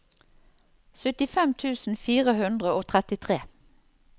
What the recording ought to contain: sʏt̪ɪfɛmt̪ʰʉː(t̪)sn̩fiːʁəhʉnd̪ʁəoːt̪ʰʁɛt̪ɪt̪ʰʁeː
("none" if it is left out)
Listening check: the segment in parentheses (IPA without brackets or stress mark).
none